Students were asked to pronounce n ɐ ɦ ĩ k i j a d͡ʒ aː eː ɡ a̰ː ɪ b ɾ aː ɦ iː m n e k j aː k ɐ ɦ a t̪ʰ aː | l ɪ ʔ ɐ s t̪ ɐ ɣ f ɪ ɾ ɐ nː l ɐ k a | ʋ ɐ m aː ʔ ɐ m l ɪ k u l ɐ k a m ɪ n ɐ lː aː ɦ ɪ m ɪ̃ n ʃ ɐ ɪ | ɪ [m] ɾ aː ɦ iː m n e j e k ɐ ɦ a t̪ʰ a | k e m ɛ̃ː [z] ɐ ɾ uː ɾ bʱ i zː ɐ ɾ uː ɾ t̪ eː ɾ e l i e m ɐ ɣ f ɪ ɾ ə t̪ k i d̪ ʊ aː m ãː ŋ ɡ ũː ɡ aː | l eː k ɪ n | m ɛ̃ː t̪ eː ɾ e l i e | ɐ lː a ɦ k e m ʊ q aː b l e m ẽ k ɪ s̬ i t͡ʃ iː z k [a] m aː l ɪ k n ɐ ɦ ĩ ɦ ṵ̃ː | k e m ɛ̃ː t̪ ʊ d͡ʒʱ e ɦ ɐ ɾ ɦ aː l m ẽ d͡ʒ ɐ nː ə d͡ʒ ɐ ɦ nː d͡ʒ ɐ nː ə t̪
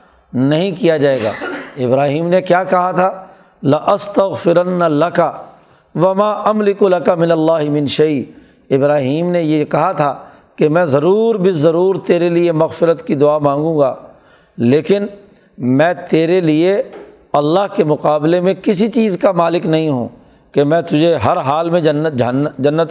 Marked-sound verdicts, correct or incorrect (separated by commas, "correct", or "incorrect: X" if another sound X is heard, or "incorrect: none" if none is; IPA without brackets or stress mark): incorrect: b, correct, correct